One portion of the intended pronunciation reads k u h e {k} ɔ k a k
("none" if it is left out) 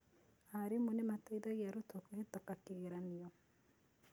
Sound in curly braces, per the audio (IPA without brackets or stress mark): t